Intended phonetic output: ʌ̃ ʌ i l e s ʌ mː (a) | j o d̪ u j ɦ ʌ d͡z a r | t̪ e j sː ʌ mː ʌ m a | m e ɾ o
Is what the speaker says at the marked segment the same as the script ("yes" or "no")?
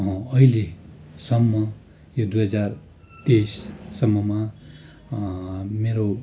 no